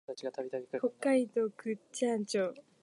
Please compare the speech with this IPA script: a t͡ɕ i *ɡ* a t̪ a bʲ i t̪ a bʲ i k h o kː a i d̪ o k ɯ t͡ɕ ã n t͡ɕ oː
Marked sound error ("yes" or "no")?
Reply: no